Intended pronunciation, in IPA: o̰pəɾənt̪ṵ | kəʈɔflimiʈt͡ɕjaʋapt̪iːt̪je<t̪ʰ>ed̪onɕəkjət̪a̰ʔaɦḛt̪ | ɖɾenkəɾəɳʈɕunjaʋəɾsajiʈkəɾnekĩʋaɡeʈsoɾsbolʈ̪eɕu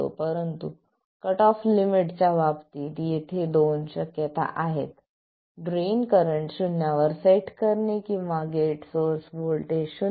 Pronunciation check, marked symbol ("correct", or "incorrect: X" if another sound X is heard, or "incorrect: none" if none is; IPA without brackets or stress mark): correct